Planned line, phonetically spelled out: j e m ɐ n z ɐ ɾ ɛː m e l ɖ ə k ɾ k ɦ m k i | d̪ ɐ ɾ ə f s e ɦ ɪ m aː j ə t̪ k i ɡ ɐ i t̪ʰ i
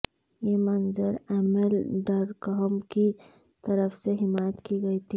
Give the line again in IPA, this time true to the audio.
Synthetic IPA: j e m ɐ n z ə ɾ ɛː m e l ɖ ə ɾ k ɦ m k i | t̪ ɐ ɾ ə f s e ɦ ɪ m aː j ə t̪ k i ɡ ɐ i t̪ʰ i